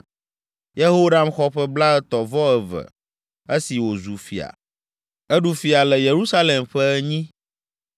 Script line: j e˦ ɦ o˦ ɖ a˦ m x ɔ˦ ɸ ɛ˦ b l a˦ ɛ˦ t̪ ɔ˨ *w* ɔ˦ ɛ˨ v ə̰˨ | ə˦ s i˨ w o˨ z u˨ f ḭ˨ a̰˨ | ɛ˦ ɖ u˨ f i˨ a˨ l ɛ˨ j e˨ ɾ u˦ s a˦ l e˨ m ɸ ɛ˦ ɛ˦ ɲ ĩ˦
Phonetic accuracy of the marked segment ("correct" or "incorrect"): incorrect